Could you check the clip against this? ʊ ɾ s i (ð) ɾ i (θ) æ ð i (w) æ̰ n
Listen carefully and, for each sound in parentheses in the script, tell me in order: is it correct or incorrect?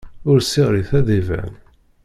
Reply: incorrect: ʁ, correct, incorrect: v

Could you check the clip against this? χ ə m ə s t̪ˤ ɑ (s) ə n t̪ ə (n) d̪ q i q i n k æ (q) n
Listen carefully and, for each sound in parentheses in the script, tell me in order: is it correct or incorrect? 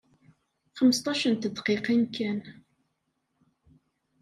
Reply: incorrect: ʃ, incorrect: none, incorrect: none

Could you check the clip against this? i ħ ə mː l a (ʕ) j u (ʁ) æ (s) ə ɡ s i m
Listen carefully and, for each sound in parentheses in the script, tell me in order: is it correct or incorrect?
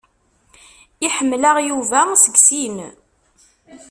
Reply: incorrect: ʁ, incorrect: v, correct

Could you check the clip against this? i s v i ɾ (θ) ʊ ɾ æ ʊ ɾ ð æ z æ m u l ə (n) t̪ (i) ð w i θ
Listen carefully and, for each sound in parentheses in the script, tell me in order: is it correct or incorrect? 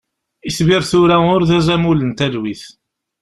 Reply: correct, correct, incorrect: æ

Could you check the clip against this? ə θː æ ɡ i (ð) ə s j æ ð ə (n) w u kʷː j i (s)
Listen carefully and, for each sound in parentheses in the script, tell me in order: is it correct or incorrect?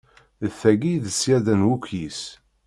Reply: correct, correct, correct

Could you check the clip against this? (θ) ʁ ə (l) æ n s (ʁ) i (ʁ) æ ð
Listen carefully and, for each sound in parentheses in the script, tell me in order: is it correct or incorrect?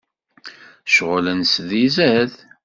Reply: incorrect: ʃ, correct, incorrect: ð, incorrect: z

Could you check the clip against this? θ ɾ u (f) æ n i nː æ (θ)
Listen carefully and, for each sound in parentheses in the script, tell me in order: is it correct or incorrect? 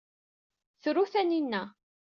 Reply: incorrect: θ, incorrect: none

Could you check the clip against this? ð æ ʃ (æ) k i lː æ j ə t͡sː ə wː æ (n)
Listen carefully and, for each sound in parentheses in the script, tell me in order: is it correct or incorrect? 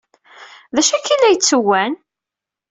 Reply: correct, correct

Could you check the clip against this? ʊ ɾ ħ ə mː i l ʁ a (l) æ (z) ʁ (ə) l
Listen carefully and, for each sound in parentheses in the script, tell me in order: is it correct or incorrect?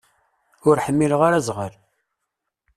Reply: incorrect: ɾ, correct, correct

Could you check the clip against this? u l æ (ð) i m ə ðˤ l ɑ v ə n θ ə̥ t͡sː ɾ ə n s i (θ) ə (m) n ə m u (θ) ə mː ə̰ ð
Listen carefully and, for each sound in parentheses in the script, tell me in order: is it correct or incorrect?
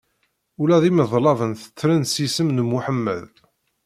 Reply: correct, incorrect: s, correct, incorrect: ħ

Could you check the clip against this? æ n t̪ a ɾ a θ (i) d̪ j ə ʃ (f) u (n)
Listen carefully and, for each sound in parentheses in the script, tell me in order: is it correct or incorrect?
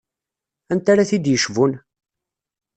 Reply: correct, incorrect: v, correct

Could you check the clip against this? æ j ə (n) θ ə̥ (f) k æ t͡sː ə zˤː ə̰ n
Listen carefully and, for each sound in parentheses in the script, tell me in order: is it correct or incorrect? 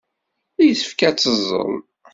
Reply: incorrect: none, correct

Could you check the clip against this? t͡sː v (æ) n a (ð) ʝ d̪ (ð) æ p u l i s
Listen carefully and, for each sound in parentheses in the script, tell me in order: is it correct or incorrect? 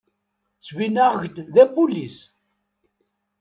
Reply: incorrect: i, incorrect: ʁ, correct

